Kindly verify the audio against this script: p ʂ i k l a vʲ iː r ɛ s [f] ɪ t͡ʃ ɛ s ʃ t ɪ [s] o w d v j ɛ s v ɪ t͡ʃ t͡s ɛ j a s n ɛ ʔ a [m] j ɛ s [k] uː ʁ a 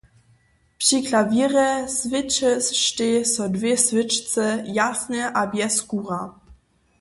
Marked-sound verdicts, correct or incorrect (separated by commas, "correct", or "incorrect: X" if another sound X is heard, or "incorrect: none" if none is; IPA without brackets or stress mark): incorrect: v, correct, incorrect: b, correct